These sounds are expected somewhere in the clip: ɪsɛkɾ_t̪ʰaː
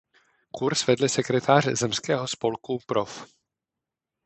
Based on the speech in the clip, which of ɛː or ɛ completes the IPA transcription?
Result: ɛ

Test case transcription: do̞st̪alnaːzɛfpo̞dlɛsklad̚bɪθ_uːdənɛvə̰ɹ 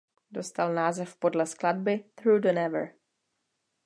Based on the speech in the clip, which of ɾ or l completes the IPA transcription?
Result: ɾ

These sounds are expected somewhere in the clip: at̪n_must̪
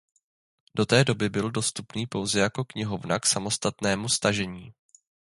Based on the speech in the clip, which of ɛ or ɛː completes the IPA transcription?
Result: ɛː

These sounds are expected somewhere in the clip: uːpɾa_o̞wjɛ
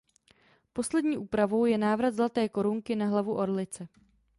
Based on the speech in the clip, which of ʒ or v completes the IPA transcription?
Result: v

